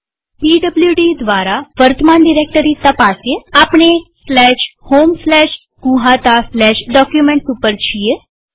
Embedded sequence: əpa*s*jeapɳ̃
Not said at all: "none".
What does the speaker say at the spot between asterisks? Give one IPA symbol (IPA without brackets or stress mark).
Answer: s